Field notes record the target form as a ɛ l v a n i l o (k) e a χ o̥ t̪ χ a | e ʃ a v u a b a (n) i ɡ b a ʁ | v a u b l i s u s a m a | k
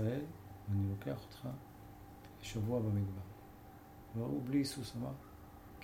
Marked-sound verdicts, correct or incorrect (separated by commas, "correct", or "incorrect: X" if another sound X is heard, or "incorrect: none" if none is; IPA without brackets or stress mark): correct, incorrect: m